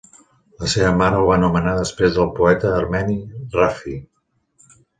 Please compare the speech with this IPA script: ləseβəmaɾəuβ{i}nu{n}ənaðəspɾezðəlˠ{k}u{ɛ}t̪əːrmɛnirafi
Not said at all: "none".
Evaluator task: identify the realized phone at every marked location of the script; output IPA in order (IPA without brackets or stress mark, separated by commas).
a, m, p, ɛ